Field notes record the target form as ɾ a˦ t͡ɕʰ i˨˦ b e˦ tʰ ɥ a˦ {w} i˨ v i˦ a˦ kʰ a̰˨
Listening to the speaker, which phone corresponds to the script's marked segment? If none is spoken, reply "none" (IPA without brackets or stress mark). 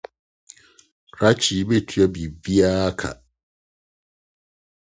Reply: b